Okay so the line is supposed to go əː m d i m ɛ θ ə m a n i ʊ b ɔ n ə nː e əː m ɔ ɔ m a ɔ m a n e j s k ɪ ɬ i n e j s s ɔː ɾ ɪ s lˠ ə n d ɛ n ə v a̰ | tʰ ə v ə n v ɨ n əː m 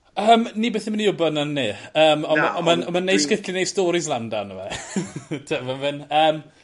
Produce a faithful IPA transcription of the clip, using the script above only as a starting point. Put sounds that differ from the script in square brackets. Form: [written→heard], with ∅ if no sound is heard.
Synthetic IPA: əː m [d→n] i [m→b] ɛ θ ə m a n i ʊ b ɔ n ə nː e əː m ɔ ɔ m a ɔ m a n e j s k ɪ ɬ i n e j s [s→t] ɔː ɾ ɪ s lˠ [ə→a] n d [ɛ→a] n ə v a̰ | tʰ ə v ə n v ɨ n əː m